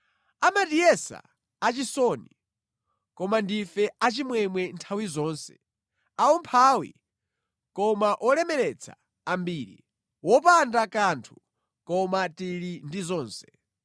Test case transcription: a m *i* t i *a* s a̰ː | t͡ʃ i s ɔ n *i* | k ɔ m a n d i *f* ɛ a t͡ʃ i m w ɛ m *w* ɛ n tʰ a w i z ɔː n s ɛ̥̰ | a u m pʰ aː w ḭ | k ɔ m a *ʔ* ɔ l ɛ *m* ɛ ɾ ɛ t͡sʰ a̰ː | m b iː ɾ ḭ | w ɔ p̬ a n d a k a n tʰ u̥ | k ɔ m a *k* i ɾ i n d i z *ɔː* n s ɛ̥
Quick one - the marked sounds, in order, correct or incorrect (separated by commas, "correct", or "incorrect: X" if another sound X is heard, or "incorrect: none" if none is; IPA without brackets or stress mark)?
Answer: incorrect: a, incorrect: ɛ, correct, correct, correct, correct, correct, incorrect: t, correct